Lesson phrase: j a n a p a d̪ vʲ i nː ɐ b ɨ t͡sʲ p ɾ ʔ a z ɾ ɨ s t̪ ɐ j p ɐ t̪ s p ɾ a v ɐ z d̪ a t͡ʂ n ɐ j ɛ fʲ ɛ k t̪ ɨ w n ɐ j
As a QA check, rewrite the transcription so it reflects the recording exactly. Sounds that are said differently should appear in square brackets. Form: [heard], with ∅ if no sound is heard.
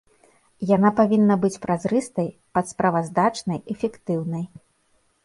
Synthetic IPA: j a n a p a [∅] vʲ i nː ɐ b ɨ t͡sʲ p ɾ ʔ a z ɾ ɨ s t̪ ɐ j p ɐ t̪ s p ɾ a v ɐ z d̪ a t͡ʂ n ɐ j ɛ fʲ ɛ k t̪ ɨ w n ɐ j